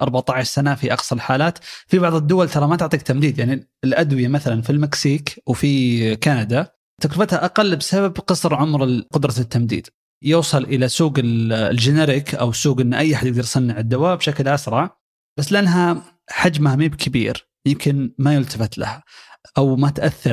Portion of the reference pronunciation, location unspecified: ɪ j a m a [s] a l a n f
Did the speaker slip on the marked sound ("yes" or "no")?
yes